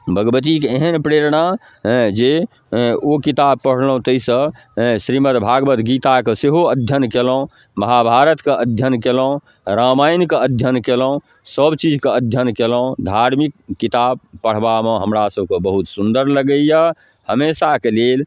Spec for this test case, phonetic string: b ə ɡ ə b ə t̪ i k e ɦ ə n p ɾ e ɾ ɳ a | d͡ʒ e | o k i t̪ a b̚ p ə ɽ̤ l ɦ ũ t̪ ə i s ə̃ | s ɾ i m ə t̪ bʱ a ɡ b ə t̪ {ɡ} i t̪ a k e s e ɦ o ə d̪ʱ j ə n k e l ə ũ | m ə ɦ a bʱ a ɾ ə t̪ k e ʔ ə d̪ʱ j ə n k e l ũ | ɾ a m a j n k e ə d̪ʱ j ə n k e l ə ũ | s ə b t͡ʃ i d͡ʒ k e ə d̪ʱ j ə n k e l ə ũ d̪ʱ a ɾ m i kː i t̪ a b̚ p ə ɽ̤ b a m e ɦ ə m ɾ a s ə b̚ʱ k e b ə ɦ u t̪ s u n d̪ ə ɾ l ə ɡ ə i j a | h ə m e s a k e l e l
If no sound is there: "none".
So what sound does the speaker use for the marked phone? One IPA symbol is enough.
ɡ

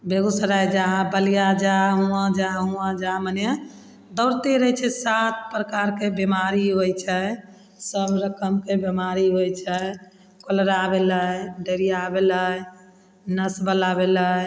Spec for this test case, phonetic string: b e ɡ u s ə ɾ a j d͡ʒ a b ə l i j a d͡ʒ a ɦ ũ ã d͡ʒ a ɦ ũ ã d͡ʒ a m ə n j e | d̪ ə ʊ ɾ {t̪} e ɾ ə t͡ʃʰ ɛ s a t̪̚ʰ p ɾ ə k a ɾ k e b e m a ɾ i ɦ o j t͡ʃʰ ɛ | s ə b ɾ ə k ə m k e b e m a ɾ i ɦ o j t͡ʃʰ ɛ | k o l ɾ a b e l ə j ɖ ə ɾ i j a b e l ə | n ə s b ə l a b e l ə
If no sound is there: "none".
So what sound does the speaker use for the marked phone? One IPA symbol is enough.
t̪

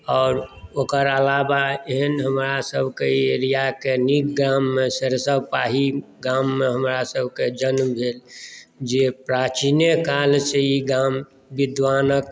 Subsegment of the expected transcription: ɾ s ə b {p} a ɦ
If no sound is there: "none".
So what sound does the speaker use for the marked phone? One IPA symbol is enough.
p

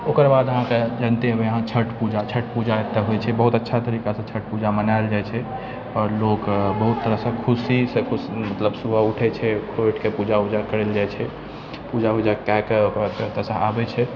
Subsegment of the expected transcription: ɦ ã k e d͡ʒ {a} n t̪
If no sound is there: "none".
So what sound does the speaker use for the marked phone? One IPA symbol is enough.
ə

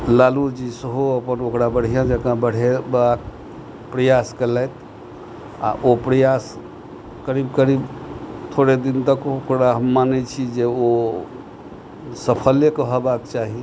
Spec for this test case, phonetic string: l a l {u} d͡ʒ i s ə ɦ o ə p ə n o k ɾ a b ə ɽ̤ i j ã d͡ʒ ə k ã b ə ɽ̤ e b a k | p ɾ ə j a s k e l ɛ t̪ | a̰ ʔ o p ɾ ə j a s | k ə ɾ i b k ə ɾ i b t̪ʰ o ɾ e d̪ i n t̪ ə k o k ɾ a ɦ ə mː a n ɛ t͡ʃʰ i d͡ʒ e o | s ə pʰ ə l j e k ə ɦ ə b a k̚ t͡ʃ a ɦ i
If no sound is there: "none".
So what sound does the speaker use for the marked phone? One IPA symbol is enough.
u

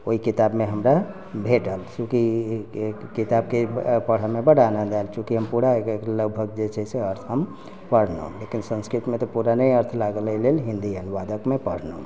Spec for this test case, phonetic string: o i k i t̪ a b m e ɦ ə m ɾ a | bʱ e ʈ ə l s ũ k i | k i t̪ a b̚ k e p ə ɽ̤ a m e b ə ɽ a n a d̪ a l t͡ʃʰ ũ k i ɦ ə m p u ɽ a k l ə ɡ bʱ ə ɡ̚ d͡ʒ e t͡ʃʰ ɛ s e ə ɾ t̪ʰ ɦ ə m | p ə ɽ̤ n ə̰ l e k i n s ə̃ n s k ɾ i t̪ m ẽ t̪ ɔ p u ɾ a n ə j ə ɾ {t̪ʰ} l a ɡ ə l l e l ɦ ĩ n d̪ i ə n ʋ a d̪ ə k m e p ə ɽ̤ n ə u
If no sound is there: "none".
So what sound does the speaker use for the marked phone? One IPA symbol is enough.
t̪ʰ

